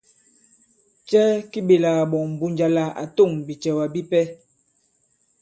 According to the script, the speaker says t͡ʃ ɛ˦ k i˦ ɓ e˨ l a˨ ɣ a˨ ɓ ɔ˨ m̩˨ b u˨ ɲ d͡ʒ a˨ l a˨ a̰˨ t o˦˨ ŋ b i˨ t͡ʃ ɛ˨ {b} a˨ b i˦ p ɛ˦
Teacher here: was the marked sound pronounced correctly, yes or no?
no